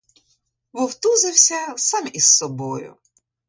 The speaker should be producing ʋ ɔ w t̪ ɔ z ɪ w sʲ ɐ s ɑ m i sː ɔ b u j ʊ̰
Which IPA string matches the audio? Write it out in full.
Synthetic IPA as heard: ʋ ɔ w t̪ u z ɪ w sʲ ɐ s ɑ m i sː ɔ b ɔ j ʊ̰